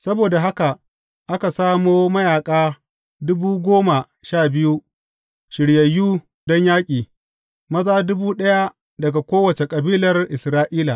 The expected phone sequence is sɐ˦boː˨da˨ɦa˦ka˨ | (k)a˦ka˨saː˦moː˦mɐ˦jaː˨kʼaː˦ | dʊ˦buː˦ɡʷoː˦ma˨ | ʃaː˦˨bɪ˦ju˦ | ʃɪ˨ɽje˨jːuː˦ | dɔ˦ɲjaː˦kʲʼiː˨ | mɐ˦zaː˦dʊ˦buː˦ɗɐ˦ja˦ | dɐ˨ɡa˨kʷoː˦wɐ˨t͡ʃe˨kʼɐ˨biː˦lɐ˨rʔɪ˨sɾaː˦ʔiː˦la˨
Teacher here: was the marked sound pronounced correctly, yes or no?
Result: no